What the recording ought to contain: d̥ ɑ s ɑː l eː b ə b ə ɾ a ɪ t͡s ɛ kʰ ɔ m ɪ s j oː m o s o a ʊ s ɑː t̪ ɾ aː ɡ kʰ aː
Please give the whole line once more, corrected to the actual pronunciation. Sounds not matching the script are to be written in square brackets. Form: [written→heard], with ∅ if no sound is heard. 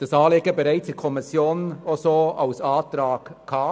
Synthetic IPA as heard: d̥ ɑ s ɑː l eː [b→ɡ] ə b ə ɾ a ɪ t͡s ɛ kʰ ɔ m ɪ s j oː [m→n] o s o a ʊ s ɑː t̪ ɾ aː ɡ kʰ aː